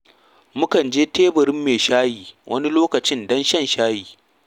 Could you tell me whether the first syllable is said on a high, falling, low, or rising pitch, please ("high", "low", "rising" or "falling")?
high